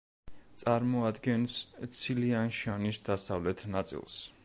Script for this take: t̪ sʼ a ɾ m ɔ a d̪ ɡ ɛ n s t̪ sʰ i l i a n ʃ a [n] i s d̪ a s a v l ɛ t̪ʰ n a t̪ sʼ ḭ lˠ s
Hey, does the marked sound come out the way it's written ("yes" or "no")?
yes